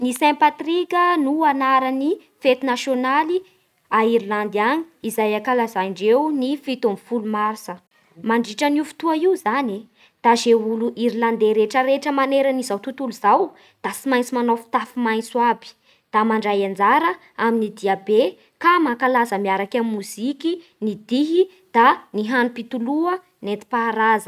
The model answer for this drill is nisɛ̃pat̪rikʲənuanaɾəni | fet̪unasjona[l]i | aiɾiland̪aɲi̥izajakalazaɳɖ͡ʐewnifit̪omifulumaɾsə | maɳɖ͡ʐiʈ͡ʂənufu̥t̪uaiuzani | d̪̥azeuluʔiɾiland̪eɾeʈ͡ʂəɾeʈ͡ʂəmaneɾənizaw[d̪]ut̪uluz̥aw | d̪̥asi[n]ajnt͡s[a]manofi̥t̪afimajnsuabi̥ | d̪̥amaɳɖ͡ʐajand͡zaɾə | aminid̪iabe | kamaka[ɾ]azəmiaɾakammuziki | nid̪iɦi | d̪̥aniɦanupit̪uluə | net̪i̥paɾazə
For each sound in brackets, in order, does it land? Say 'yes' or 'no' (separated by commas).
yes, no, no, no, no